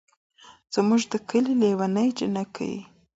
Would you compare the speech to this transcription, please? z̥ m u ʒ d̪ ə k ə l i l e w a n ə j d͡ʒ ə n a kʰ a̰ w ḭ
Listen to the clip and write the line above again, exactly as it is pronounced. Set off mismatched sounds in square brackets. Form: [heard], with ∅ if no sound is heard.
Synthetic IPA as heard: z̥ m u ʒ d̪ ə k ə l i l e w a n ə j d͡ʒ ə n a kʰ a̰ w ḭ